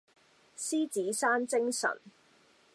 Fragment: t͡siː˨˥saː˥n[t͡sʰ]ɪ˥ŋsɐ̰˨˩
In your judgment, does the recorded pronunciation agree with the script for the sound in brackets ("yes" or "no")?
no